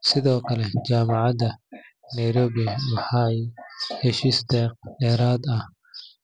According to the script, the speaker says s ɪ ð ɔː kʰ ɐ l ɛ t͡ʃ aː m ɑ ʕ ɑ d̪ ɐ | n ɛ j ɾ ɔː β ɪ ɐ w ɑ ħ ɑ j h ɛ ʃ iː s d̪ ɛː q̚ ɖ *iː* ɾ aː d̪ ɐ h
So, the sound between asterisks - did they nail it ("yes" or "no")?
no